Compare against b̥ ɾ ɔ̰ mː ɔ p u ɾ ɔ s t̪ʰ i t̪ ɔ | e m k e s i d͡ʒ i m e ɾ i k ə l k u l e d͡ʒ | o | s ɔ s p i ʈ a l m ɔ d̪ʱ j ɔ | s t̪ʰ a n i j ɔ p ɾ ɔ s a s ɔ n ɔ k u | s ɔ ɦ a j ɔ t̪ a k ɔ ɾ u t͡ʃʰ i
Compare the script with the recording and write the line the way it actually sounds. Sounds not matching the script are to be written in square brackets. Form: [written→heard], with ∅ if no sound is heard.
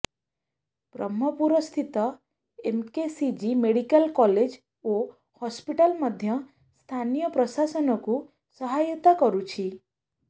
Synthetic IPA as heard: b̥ ɾ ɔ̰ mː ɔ p u ɾ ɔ s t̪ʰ i t̪ ɔ | e m k e s i d͡ʒ i m e [ɾ→ɽ] i k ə l k [u→ɔ] l e d͡ʒ | o | [s→h] ɔ s p i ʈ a l m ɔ d̪ʱ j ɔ | s t̪ʰ a n i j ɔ p ɾ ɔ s a s ɔ n ɔ k u | s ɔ ɦ a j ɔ t̪ a k ɔ ɾ u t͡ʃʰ i